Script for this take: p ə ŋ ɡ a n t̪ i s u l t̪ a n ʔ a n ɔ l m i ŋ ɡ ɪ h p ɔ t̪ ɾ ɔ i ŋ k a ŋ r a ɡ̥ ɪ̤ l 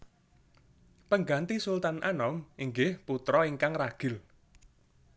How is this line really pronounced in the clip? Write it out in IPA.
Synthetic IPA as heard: p ə ŋ ɡ a n t̪ i s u l t̪ a n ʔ a n ɔ m i ŋ ɡ ɪ h p u t̪ ɾ ɔ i ŋ k a ŋ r a ɡ̥ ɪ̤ l

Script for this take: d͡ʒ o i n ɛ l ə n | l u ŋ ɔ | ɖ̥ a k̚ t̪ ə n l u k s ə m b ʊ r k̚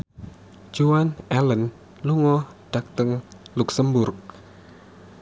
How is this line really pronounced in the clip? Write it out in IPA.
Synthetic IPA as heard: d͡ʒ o a n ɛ l ə n | l u ŋ ɔ | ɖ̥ a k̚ t̪ ə ŋ l u k s ə m b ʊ r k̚

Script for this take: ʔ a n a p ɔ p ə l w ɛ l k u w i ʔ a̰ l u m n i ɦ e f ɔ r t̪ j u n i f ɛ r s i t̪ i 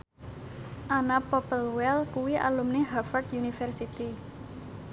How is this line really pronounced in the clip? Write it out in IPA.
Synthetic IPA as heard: ʔ a n a p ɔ p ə l w ɛ l k u w i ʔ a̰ l u m n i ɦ a f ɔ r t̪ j u n i f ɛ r s i t̪ i

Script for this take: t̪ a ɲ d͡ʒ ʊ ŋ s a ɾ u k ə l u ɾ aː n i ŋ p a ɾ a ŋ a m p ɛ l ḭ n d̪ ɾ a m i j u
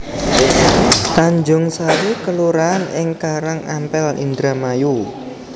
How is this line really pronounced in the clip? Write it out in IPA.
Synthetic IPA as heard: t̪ a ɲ d͡ʒ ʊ ŋ s a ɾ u k ə l u ɾ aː n ɪ ŋ k a ɾ a ŋ a m p ɛ l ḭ n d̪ ɾ a m a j u

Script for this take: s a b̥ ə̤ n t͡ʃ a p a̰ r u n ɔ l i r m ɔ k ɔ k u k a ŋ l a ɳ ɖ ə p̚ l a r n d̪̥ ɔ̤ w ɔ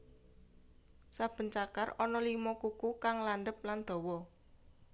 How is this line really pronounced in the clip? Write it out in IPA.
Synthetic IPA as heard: s a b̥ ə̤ n t͡ʃ a k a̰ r ɔ n ɔ l i m ɔ k u k u k a ŋ l a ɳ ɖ ə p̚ l a n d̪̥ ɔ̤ w ɔ

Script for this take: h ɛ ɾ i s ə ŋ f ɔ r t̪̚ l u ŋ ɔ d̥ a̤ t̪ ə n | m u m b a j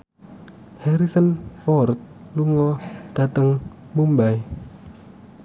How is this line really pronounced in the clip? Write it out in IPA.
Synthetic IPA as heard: h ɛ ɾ i s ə n f ɔ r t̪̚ l u ŋ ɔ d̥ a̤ t̪ ə ŋ | m u m b a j

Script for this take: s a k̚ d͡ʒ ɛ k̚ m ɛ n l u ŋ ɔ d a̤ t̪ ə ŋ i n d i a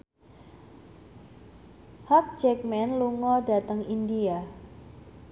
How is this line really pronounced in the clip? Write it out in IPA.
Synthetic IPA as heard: h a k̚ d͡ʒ ɛ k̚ m ɛ n l u ŋ ɔ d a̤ t̪ ə ŋ i n d i a

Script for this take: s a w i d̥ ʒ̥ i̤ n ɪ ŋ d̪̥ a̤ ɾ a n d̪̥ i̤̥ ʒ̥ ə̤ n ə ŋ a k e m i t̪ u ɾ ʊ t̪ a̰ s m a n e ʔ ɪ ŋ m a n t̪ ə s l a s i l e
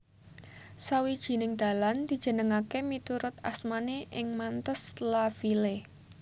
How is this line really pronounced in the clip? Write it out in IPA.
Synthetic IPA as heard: s a w i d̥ ʒ̥ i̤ n ɪ ŋ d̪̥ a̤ l a n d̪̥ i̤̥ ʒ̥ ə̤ n ə ŋ a k e m i t̪ u ɾ ʊ t̪ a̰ s m a n e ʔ ɪ ŋ m a n t̪ ə s l a f i l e

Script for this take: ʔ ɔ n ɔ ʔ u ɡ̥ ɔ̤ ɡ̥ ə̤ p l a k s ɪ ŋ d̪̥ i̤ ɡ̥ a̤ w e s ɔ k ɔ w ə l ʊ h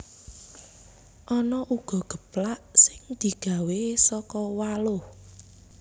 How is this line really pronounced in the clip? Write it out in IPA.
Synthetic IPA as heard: ʔ ɔ n ɔ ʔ u ɡ̥ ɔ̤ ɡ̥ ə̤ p l a ʔ s ɪ ŋ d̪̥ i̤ ɡ̥ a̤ w e s ɔ k ɔ w a l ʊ h

